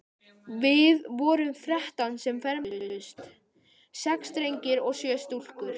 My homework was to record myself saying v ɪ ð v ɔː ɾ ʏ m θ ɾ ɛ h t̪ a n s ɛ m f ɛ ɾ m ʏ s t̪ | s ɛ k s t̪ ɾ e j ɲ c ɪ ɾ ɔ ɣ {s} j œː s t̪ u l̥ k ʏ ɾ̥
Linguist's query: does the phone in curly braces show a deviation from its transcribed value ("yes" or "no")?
no